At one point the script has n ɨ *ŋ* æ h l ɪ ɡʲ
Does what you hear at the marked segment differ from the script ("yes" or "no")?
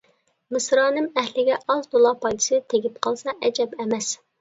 yes